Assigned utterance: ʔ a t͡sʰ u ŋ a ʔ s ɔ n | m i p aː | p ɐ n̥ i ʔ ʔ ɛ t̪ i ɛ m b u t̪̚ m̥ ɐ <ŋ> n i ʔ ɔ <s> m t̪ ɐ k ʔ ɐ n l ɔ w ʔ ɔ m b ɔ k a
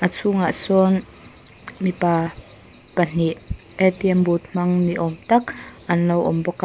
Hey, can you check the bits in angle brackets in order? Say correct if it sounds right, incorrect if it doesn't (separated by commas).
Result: correct, incorrect